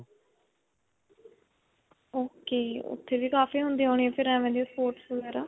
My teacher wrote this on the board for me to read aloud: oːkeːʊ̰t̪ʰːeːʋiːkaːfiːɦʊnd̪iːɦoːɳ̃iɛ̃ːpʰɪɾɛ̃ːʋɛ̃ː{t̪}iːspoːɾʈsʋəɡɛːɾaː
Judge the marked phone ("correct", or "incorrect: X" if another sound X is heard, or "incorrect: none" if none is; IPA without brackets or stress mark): incorrect: d̪